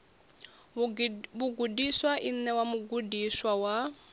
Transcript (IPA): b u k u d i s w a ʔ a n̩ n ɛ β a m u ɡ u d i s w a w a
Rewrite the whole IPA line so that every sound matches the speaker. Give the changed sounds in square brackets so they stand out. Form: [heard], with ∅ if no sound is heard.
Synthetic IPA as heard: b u [ɡ] u d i s w a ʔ [i] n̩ n ɛ [w] a m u ɡ u d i s w a w a